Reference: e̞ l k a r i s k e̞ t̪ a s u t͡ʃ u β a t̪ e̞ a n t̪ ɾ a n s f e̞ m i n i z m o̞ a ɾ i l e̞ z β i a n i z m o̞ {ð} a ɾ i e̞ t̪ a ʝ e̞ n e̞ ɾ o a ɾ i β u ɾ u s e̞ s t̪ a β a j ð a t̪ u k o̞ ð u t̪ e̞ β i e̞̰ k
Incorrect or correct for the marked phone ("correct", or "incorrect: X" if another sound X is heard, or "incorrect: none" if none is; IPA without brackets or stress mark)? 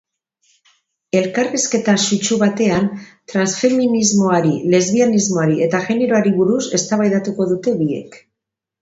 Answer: incorrect: none